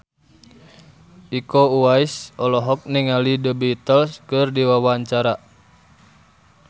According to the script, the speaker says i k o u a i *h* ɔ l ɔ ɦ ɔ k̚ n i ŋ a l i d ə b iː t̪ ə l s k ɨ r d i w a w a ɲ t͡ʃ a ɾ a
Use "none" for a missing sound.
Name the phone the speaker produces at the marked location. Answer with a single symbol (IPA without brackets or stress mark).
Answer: s